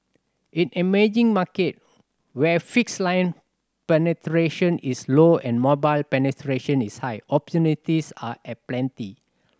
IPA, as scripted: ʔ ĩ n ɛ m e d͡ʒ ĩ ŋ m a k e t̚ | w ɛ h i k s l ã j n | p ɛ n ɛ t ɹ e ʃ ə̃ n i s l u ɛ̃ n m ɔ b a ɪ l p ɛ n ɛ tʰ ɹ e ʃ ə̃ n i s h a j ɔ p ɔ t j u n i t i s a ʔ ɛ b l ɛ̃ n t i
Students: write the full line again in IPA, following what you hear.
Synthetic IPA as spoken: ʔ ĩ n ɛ m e d͡ʒ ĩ ŋ m a k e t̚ | w ɛ f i k s l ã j n | p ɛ n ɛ t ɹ e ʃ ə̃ n i s l o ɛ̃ n m ɔ b a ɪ l p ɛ n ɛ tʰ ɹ e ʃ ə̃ n i s h a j ɔ p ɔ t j u n i t i s a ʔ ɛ p l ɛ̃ n t i